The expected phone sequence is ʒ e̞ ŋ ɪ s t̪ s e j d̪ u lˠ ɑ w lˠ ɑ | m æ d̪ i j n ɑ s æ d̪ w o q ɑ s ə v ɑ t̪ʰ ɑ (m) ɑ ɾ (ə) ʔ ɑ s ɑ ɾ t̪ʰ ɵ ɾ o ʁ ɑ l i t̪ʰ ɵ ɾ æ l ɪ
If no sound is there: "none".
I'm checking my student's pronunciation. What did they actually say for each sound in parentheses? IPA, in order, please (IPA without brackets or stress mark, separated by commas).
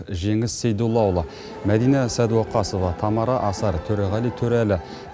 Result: m, ɑ